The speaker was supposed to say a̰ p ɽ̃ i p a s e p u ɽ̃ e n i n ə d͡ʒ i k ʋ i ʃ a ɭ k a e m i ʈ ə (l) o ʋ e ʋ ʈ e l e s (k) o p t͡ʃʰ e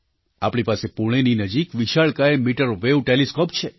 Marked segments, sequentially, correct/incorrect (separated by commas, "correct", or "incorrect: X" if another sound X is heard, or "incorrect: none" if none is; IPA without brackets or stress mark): incorrect: ɾ, correct